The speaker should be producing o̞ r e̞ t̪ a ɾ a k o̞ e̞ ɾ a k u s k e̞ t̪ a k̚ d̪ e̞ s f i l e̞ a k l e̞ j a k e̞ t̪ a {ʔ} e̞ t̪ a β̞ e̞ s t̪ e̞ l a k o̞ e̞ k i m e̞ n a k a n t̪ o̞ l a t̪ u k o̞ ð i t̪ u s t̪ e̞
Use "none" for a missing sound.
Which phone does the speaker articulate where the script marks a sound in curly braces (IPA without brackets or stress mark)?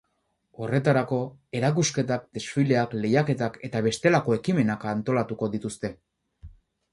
k